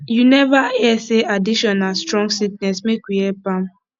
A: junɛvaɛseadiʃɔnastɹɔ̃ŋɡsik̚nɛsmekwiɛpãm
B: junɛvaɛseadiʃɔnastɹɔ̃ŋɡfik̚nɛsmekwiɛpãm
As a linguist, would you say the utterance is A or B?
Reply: A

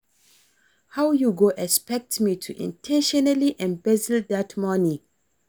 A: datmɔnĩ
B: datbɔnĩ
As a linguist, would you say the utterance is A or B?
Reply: A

